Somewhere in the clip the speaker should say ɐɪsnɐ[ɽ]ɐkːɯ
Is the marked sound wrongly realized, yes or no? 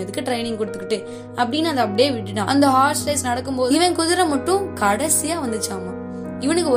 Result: no